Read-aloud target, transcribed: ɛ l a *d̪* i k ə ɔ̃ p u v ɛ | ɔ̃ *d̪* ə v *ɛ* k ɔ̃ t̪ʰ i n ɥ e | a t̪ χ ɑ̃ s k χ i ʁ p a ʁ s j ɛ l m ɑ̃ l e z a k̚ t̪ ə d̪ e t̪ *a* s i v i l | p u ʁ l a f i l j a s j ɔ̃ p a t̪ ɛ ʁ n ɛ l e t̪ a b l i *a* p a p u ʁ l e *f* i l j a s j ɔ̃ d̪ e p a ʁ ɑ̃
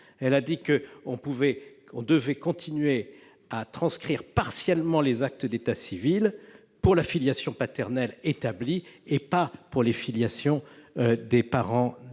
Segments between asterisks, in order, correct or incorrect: correct, correct, correct, correct, incorrect: e, correct

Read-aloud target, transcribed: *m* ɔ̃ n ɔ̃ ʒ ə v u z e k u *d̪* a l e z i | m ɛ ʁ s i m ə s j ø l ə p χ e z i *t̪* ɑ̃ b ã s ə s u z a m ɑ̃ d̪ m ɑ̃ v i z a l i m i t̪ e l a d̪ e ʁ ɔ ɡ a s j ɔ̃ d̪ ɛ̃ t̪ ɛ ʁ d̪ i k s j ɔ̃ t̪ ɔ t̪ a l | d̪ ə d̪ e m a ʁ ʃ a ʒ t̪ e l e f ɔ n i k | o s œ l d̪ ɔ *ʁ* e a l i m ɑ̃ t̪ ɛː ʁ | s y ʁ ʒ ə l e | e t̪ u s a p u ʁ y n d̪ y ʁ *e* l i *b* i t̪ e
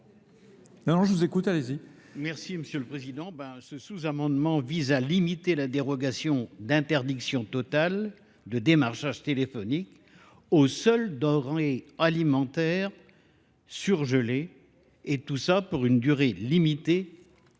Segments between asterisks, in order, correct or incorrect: incorrect: n, incorrect: t̪, incorrect: d̪, correct, correct, incorrect: m

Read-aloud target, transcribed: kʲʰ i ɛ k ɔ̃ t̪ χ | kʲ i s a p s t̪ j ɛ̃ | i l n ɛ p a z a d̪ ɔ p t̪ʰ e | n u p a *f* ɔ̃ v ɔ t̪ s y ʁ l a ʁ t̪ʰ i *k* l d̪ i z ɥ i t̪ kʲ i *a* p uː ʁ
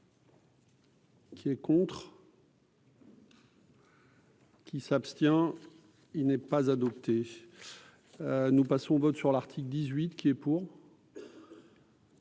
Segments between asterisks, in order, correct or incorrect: incorrect: s, correct, incorrect: ɛ

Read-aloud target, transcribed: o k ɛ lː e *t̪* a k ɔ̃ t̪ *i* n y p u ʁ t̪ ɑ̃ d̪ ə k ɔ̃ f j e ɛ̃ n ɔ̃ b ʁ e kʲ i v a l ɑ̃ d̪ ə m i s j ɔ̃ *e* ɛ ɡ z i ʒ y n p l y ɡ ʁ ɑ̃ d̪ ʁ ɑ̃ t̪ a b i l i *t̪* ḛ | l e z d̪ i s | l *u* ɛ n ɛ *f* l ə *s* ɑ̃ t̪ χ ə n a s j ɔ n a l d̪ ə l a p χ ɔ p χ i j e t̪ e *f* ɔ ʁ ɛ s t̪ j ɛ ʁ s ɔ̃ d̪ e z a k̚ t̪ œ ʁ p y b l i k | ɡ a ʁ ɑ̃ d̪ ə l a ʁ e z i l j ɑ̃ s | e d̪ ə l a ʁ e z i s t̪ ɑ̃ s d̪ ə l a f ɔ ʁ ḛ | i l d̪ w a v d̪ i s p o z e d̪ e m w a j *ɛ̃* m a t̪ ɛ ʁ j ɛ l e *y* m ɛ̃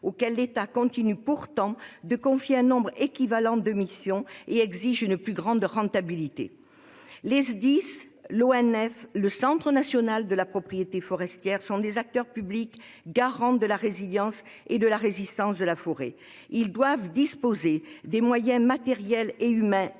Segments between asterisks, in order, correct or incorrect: correct, correct, correct, correct, incorrect: o, correct, correct, correct, correct, correct

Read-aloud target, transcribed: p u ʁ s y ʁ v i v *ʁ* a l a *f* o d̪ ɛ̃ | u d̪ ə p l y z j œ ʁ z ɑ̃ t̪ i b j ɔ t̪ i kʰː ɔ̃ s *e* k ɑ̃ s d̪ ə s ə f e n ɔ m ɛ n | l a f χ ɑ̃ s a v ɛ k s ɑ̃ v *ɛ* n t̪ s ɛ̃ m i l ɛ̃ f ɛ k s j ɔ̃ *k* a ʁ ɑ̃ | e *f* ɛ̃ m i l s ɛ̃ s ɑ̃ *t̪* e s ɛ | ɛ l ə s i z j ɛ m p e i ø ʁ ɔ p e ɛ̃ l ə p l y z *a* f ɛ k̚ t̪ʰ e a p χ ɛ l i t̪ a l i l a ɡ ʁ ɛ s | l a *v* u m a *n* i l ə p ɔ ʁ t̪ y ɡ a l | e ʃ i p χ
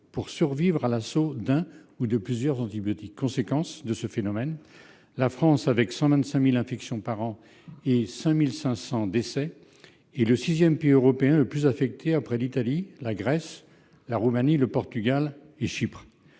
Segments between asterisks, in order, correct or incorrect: correct, incorrect: s, correct, incorrect: ɛ̃, incorrect: p, incorrect: s, incorrect: d̪, correct, incorrect: ʁ, correct

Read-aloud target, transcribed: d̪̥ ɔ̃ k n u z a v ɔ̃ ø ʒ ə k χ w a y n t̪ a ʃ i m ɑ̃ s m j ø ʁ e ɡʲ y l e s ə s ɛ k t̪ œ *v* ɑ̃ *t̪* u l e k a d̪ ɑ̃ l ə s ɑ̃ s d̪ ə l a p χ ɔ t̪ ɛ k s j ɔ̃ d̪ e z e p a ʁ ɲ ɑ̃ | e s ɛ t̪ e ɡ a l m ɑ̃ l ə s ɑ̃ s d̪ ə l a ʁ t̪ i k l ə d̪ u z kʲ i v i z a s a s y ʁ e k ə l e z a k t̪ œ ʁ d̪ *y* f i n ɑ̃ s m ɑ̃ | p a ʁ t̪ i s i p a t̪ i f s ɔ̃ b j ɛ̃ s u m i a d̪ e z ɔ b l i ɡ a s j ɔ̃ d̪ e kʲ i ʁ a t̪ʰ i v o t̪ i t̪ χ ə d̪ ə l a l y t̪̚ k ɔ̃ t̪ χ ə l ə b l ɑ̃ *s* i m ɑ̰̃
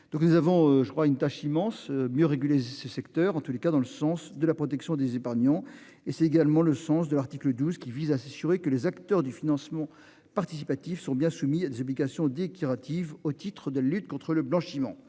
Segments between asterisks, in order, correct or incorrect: incorrect: ʁ, correct, correct, incorrect: ʃ

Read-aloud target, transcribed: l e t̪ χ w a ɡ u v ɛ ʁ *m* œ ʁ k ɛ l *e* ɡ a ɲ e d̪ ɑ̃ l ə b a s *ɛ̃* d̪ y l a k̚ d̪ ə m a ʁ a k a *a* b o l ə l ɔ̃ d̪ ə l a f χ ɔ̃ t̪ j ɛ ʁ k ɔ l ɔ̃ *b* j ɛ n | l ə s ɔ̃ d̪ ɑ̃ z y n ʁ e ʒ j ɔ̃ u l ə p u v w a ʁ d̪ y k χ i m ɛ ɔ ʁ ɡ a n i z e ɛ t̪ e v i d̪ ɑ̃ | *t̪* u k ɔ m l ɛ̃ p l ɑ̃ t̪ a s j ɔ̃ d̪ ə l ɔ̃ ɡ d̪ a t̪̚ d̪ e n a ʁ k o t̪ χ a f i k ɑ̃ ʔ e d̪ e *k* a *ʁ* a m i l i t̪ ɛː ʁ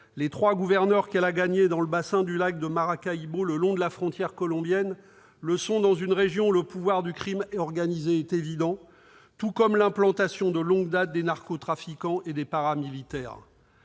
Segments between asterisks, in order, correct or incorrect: incorrect: n, incorrect: a, correct, incorrect: i, correct, correct, incorrect: p, correct

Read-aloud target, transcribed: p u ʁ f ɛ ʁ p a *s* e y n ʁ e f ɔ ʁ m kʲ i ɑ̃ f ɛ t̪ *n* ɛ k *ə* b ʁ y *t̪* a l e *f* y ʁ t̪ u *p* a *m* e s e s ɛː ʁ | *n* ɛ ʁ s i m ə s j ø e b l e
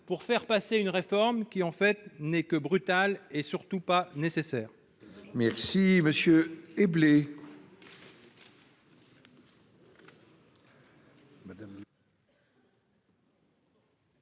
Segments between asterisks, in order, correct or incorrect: correct, correct, correct, correct, incorrect: s, correct, incorrect: n, incorrect: m

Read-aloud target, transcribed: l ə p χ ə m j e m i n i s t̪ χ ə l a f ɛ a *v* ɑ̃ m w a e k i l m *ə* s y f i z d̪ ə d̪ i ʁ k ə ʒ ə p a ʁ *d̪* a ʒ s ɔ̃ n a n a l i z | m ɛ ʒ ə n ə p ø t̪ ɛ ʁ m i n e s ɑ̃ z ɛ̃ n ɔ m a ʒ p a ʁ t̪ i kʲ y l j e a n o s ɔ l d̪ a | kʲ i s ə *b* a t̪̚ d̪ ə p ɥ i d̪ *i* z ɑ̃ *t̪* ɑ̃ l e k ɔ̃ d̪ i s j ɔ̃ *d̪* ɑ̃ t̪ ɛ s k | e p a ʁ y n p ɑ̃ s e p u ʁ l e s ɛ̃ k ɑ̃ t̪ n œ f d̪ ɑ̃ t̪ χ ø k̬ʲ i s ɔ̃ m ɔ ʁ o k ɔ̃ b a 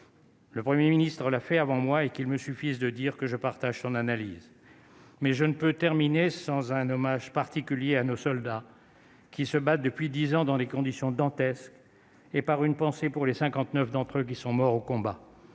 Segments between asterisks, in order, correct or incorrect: correct, correct, incorrect: t̪, correct, correct, incorrect: d̪, correct

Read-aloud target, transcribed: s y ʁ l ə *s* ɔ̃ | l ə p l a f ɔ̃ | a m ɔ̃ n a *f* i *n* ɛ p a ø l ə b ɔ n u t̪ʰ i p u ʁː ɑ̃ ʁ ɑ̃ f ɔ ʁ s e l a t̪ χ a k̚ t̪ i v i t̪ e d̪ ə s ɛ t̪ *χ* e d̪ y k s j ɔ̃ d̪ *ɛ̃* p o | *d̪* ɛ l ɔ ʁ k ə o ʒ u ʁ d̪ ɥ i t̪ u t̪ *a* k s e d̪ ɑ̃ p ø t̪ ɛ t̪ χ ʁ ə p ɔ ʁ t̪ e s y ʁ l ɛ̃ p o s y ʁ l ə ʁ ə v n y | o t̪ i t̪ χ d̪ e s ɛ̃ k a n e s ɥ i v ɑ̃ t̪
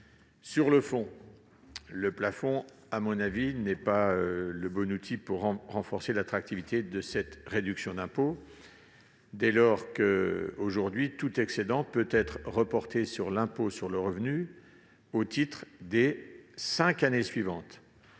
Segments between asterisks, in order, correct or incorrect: incorrect: f, incorrect: v, correct, incorrect: ʁ, correct, correct, incorrect: ɛ

